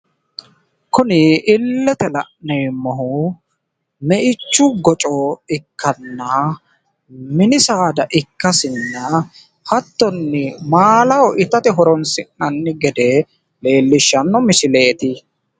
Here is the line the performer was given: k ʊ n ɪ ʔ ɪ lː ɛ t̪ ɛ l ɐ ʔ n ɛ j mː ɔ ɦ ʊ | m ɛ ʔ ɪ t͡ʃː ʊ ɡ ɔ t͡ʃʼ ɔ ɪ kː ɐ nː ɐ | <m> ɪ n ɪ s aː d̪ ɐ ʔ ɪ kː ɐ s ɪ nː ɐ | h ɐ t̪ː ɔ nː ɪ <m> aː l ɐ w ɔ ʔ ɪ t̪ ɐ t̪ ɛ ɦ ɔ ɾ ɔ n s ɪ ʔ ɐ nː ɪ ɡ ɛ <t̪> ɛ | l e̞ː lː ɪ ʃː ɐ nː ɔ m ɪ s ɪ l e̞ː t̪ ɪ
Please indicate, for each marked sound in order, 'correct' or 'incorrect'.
correct, correct, incorrect: d̪

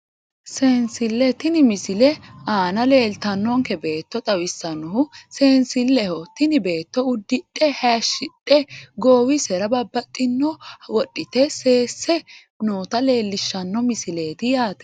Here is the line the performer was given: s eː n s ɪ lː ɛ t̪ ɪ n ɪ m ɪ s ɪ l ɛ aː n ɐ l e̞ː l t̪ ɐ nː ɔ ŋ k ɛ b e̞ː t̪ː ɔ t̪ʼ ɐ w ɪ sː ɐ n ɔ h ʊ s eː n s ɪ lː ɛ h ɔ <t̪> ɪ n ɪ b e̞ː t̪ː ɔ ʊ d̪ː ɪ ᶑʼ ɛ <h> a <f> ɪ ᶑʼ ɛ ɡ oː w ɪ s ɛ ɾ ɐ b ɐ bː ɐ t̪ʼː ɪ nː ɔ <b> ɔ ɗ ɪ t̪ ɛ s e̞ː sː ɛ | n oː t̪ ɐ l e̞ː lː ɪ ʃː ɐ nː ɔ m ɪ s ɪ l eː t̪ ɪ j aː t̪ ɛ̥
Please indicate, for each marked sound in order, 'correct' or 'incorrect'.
correct, correct, incorrect: ʃ, incorrect: w

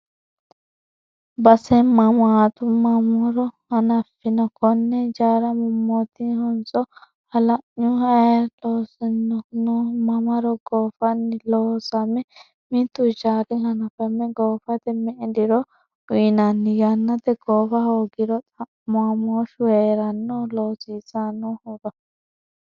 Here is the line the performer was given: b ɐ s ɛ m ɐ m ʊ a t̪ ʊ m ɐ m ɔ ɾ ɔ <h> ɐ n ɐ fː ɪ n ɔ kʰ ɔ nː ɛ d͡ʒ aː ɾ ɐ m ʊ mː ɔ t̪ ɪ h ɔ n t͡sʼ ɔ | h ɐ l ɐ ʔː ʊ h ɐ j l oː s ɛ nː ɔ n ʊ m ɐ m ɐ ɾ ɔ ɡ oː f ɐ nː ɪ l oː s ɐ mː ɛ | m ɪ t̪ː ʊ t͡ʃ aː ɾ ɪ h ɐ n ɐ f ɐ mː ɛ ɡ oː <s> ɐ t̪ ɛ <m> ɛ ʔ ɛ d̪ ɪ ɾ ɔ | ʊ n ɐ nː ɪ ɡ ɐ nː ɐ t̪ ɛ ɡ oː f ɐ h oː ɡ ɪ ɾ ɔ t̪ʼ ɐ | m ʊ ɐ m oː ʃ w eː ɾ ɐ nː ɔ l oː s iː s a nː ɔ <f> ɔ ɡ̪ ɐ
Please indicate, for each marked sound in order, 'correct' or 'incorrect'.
correct, incorrect: f, correct, incorrect: h

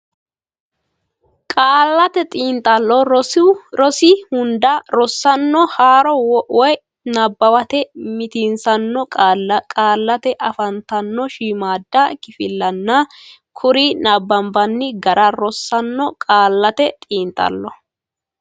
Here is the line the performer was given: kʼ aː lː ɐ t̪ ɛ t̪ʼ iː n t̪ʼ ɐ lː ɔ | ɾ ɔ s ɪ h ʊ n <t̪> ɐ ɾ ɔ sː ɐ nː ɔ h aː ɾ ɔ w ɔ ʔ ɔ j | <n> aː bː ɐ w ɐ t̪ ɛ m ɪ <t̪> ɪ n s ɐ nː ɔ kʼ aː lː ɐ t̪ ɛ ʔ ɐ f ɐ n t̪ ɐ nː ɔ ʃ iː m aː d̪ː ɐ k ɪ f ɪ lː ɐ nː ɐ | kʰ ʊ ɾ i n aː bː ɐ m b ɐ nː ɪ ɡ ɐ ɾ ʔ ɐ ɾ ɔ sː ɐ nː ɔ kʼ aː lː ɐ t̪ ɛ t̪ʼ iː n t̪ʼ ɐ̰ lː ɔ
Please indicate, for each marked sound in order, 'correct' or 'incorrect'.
incorrect: d̪, correct, correct

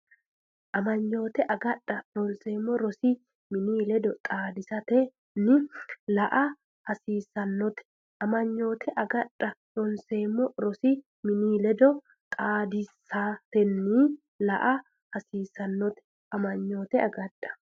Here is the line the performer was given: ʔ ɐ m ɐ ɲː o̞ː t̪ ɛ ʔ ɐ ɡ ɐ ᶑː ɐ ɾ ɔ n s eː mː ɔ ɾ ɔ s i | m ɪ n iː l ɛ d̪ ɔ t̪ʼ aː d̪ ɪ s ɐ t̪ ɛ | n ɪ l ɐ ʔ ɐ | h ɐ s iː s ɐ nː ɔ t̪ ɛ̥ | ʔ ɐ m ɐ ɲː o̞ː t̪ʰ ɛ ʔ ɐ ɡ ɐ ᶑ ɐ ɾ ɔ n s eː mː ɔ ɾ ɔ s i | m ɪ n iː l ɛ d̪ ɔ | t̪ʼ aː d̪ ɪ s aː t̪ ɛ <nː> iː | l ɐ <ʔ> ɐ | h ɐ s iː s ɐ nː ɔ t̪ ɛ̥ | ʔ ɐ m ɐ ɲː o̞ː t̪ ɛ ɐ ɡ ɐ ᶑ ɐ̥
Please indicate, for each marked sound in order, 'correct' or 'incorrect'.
correct, correct

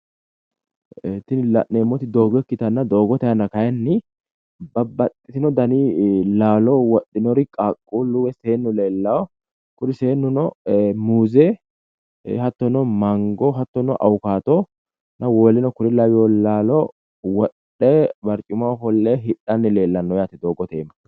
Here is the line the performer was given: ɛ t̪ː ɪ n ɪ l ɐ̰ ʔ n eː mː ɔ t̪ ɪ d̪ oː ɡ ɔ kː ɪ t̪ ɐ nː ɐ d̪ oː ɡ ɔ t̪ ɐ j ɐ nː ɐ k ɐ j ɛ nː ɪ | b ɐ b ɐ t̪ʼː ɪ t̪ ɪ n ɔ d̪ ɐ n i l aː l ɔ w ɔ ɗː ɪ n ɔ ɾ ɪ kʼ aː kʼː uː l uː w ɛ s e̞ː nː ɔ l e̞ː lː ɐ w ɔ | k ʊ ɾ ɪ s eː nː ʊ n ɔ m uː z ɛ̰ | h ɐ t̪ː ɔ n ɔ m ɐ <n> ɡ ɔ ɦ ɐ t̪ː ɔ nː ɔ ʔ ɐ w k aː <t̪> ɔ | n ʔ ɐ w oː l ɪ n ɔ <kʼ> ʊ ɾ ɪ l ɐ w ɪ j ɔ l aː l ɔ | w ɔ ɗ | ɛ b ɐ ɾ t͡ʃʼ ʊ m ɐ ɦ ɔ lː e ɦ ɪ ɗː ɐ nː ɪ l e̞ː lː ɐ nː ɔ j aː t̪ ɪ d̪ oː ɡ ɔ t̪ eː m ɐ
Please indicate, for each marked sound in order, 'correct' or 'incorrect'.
incorrect: ŋ, correct, incorrect: k

